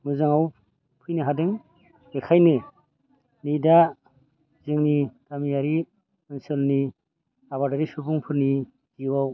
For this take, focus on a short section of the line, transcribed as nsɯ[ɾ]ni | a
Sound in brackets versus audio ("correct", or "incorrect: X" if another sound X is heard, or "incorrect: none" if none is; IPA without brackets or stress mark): incorrect: l